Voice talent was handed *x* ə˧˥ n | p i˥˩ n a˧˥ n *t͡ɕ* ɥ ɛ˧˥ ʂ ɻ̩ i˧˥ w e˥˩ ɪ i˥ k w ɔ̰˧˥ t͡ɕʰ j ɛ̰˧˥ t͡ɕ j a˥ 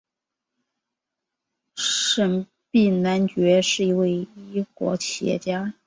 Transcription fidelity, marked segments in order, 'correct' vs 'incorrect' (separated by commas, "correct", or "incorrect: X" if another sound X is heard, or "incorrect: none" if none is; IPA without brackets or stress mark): incorrect: ʂ, correct